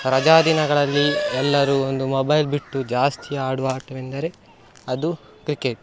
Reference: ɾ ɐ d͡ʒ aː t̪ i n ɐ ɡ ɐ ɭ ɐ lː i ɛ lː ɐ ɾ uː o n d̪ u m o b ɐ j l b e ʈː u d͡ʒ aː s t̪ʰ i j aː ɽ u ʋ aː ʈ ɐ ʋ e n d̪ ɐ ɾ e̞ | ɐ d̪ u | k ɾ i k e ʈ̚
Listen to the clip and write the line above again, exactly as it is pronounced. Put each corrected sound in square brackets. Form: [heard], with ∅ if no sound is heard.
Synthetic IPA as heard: ɾ ɐ d͡ʒ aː [d̪] i n ɐ ɡ ɐ ɭ ɐ lː i ɛ lː ɐ ɾ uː o n d̪ u m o b ɐ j l b [i] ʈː u d͡ʒ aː s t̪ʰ i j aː ɽ u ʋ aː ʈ ɐ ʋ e n d̪ ɐ ɾ e̞ | ɐ d̪ u | k ɾ i k e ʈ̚

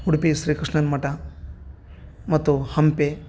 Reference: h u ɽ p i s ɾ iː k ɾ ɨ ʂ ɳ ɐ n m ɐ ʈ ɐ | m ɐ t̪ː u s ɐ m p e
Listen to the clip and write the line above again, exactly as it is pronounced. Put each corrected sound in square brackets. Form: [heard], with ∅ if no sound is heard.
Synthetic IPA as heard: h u ɽ p i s ɾ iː k ɾ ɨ ʂ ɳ ɐ n m ɐ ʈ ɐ | m ɐ t̪ː u [h] ɐ m p e

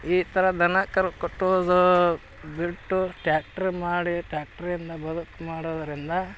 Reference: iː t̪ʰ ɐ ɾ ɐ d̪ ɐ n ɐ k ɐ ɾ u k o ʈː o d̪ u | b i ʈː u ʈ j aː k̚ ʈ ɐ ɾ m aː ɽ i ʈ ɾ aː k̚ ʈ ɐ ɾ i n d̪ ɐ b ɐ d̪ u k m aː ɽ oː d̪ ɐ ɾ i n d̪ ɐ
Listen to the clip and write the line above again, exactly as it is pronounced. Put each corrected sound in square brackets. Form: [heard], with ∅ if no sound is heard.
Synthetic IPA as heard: iː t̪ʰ ɐ ɾ ɐ d̪ ɐ n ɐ k ɐ ɾ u k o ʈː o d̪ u | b i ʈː u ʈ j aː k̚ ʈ ɐ ɾ m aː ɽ i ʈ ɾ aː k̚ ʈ ɐ ɾ i n d̪ ɐ b ɐ d̪ u k m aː ɽ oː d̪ ɐ ɾ i n d̪ ɐ

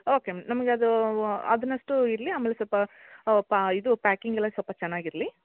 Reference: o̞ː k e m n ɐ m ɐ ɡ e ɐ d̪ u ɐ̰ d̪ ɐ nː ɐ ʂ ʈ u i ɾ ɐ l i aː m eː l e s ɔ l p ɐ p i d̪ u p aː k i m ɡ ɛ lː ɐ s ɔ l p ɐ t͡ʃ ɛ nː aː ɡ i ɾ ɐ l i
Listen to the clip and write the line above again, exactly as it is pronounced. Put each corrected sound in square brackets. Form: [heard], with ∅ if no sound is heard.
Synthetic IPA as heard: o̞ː k e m n ɐ m ɐ ɡ e ɐ d̪ u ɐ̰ d̪ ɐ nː ɐ ʂ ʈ u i ɾ ɐ l i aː m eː l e s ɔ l p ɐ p i d̪ u p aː k i [ŋ] ɡ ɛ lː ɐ s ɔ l p ɐ t͡ʃ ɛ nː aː ɡ i ɾ ɐ l i

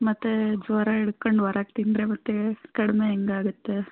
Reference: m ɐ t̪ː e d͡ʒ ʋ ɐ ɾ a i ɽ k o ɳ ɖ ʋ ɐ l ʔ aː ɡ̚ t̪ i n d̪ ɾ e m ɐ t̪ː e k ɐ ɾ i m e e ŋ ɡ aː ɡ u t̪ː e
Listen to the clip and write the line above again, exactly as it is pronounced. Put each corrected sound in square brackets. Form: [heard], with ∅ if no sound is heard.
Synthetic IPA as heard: m ɐ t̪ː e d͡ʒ ʋ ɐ ɾ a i ɽ k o ɳ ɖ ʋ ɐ [ɾ] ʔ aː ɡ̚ t̪ i n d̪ ɾ e m ɐ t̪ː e k ɐ [ɽ] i m e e ŋ ɡ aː ɡ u t̪ː e

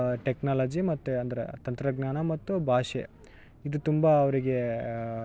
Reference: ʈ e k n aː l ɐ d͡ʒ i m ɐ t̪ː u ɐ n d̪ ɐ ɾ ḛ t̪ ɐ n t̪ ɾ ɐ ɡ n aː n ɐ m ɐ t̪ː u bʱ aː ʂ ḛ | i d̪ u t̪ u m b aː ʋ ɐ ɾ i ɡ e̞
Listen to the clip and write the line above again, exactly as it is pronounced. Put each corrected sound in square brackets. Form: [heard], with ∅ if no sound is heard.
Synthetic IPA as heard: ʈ e k n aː l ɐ d͡ʒ i m ɐ t̪ː u ɐ n d̪ ɐ ɾ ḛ t̪ ɐ n t̪ ɾ ɐ ɡ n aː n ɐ m ɐ t̪ː u bʱ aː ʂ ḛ | i d̪ u t̪ u m b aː ʋ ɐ ɾ i ɡ e̞

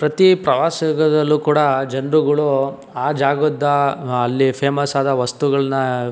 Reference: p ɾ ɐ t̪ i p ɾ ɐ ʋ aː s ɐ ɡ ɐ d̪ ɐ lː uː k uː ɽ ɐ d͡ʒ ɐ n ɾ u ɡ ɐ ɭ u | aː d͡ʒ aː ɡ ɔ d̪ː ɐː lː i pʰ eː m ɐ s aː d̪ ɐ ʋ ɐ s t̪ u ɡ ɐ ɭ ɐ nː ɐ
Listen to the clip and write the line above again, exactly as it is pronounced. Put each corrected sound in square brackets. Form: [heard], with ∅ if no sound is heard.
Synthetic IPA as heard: p ɾ ɐ t̪ i p ɾ ɐ ʋ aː s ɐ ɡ ɐ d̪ ɐ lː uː k uː ɽ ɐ d͡ʒ ɐ n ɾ u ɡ ɐ ɭ u | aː d͡ʒ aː ɡ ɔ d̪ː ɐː lː i pʰ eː m ɐ s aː d̪ ɐ ʋ ɐ s t̪ u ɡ ɐ ɭ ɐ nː ɐ

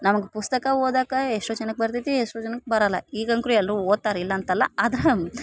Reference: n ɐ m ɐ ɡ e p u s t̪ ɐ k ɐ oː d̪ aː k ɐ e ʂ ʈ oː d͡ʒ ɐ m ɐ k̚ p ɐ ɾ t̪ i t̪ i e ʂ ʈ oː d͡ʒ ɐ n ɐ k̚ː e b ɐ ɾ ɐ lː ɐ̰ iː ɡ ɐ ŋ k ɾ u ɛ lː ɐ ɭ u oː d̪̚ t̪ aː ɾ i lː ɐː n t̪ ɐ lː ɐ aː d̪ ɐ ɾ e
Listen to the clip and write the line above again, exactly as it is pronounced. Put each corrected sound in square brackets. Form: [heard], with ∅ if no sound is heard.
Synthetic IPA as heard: n ɐ m ɐ ɡ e p u s t̪ ɐ k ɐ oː d̪ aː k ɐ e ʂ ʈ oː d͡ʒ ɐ [n] ɐ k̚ [b] ɐ ɾ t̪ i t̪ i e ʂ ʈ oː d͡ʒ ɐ n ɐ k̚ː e b ɐ ɾ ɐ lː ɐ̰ iː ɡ ɐ ŋ k ɾ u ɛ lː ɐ [ɾ] u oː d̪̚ t̪ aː ɾ i lː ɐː n t̪ ɐ lː ɐ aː d̪ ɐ ɾ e

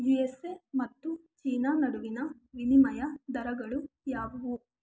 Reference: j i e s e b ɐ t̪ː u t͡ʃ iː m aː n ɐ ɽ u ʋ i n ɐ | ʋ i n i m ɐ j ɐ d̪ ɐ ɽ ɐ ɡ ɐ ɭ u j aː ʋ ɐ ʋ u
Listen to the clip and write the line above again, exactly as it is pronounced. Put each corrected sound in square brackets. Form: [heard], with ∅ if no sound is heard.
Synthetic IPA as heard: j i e s e [m] ɐ t̪ː u t͡ʃ iː [n] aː n ɐ ɽ u ʋ i n ɐ | ʋ i n i m ɐ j ɐ d̪ ɐ [ɾ] ɐ ɡ ɐ ɭ u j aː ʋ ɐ ʋ u

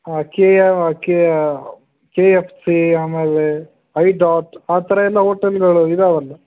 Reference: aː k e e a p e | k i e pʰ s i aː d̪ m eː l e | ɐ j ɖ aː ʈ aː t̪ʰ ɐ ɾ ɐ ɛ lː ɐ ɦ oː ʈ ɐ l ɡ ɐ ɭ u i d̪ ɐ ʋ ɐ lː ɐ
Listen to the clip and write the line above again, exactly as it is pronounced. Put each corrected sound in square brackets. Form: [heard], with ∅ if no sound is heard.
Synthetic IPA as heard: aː k e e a [k] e | k [e] e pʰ s i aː [∅] m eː l e | ɐ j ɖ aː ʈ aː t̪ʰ ɐ ɾ ɐ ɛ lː ɐ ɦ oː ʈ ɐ l ɡ ɐ ɭ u i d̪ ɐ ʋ ɐ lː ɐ

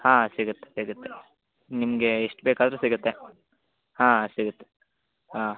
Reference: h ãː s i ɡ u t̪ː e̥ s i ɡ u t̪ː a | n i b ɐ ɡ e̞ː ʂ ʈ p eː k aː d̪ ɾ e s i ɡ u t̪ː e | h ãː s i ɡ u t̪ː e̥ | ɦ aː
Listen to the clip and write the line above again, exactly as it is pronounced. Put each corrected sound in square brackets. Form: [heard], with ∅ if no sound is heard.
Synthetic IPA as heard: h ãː s i ɡ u t̪ː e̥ s i ɡ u t̪ː [e] | n i [m] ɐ ɡ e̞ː ʂ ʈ [b] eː k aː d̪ ɾ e s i ɡ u t̪ː e | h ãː s i ɡ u t̪ː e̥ | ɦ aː

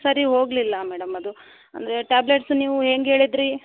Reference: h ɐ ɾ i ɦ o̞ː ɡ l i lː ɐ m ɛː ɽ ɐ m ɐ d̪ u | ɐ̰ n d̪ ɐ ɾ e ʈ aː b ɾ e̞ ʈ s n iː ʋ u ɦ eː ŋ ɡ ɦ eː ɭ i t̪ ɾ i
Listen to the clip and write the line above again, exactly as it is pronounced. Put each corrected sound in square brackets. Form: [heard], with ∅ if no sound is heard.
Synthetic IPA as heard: [s] ɐ ɾ i ɦ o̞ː ɡ l i lː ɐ m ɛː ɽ ɐ m ɐ d̪ u | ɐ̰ n d̪ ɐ ɾ e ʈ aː b [l] e̞ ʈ s n iː ʋ u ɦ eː ŋ ɡ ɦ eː ɭ i [d̪] ɾ i

